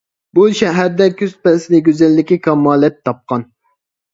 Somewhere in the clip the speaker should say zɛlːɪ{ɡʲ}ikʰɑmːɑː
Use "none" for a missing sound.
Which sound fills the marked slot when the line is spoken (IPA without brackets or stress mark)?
kʲ